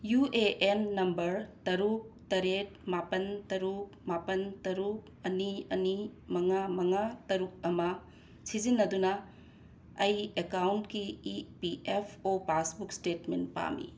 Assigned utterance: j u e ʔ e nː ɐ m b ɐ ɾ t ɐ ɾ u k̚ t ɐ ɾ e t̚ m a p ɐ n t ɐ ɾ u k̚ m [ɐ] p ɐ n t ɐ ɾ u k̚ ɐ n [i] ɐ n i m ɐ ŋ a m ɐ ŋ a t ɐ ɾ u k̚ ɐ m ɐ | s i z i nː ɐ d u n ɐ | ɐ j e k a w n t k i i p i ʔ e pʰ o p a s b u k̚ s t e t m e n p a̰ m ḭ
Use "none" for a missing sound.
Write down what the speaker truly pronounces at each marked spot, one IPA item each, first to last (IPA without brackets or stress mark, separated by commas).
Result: a, i